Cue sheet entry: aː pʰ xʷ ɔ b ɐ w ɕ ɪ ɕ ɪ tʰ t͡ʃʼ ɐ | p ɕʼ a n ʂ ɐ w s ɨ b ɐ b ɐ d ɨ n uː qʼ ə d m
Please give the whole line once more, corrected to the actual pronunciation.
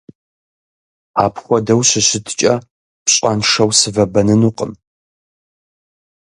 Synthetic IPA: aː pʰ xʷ ɔ d ɐ w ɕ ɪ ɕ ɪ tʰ t͡ʃʼ ɐ | p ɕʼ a n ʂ ɐ w s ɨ v ɐ b ɐ n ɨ n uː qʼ ə m